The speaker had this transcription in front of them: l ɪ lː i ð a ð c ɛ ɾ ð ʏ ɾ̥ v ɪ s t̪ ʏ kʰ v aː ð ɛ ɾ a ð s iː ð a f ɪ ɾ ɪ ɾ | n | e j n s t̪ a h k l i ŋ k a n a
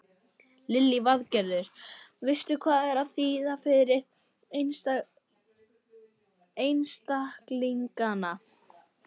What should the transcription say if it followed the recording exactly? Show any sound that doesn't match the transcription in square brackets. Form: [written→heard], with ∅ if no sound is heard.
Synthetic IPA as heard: l ɪ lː i [ð→v] a ð c ɛ ɾ ð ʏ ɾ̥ v ɪ s t̪ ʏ kʰ v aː ð ɛ ɾ a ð [s→θ] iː ð a f ɪ ɾ ɪ ɾ | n | e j n s t̪ a h k l i ŋ k a n a